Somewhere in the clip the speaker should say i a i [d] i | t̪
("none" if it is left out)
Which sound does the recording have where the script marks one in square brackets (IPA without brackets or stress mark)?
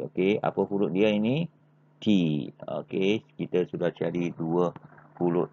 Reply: n